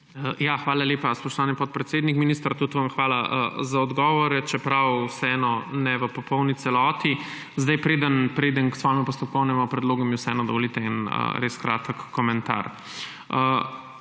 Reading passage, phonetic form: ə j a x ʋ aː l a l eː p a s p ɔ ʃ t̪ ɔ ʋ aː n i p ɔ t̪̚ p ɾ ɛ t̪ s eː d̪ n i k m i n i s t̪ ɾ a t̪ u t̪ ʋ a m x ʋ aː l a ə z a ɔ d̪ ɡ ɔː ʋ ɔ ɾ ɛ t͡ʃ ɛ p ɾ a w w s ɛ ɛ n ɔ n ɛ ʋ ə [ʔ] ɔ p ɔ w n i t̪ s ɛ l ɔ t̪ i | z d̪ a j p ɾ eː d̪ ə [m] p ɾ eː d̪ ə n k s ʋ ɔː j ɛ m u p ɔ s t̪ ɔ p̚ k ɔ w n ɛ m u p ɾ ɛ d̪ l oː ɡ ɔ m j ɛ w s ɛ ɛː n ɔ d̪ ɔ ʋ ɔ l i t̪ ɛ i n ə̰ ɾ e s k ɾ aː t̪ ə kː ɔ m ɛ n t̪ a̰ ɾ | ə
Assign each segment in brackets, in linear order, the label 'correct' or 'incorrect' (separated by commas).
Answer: incorrect, incorrect